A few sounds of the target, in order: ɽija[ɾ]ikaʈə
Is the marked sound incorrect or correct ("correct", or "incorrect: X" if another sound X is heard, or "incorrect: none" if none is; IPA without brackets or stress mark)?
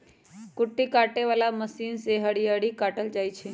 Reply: incorrect: ɽ